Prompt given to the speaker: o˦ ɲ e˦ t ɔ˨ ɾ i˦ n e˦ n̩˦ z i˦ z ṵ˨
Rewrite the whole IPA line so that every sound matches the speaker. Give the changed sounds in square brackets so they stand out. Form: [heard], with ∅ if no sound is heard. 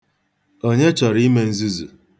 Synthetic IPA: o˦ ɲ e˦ [t͡ʃ] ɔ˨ ɾ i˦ [m] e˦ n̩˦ z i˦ z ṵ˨